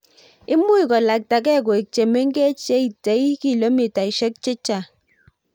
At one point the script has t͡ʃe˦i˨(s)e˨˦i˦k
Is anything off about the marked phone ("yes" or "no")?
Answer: yes